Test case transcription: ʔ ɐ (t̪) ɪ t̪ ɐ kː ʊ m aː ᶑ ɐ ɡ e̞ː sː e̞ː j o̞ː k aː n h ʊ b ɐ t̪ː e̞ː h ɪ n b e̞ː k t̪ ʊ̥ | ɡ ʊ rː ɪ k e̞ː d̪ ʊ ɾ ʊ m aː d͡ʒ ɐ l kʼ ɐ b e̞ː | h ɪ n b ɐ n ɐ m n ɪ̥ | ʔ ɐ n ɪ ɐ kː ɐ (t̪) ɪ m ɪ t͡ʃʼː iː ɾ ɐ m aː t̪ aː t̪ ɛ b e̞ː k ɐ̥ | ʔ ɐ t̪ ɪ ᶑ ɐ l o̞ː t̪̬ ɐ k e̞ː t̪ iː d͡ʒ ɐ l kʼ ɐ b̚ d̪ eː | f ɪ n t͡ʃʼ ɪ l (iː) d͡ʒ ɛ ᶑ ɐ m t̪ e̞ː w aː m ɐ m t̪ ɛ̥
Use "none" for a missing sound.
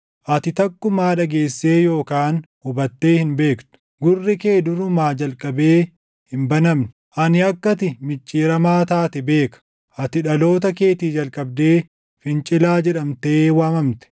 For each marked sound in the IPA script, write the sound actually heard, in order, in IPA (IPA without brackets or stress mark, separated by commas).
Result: t̪, t̪, aː